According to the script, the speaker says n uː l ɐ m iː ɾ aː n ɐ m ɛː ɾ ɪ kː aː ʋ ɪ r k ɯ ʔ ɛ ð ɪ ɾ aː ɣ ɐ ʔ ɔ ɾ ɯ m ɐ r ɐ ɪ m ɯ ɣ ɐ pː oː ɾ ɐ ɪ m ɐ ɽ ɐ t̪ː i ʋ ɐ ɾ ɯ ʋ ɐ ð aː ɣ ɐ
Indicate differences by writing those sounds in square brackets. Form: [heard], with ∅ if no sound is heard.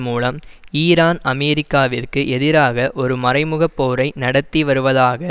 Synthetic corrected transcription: [m] uː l ɐ m iː ɾ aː n ɐ m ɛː ɾ ɪ kː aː ʋ ɪ r k ɯ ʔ ɛ ð ɪ ɾ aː ɣ ɐ ʔ ɔ ɾ ɯ m ɐ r ɐ ɪ m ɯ ɣ ɐ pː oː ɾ ɐ ɪ [n] ɐ ɽ ɐ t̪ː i ʋ ɐ ɾ ɯ ʋ ɐ ð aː ɣ ɐ